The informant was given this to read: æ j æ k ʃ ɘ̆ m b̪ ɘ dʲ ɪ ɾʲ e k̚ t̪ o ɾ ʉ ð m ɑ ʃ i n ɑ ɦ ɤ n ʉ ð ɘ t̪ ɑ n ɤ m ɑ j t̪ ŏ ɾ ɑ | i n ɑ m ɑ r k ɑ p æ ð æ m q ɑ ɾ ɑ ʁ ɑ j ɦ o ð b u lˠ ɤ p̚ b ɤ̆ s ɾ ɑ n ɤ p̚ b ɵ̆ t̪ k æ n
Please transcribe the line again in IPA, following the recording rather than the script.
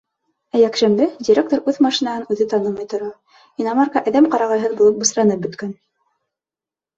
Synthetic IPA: æ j æ k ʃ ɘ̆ m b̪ ɘ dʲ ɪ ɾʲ e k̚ t̪ o ɾ ʉ ð m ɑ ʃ i n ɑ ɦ ɤ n ʉ ð ɘ t̪ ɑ n ɤ m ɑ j t̪ ŏ ɾ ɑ | i n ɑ m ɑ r k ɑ ʔ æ ð æ m q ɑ ɾ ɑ ʁ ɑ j ɦ ɤ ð b u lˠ ɤ p̚ b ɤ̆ s ɾ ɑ n ɤ p̚ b ɵ̆ t̪ k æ n